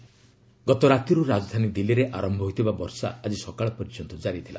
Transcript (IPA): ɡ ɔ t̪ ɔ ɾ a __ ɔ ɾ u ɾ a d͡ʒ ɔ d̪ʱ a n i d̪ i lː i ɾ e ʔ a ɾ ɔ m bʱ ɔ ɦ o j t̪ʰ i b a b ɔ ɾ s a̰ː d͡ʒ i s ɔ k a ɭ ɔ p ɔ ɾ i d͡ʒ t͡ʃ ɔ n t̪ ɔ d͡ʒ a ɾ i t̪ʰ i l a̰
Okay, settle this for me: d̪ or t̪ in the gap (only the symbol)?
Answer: t̪